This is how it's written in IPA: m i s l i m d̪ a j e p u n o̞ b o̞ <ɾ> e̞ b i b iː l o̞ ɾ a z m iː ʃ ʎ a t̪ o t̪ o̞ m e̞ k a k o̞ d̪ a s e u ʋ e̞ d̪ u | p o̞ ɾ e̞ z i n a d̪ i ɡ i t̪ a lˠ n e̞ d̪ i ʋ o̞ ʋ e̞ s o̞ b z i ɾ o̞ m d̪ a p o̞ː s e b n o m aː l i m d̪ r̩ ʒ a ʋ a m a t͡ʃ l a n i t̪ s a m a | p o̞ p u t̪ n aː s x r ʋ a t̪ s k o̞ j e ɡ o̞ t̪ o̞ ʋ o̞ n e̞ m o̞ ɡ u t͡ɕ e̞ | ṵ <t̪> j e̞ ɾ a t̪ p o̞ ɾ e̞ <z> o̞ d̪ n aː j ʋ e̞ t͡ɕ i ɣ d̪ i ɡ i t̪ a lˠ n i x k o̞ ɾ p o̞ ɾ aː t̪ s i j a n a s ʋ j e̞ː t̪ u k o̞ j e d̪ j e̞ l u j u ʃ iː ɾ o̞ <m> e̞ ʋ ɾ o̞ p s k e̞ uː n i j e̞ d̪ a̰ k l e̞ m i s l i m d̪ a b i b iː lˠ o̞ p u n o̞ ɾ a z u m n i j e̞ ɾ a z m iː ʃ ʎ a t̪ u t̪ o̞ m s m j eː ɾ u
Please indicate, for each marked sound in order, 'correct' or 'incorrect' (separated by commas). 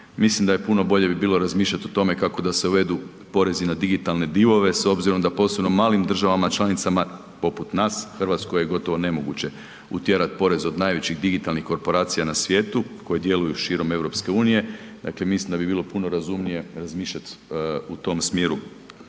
incorrect, correct, correct, correct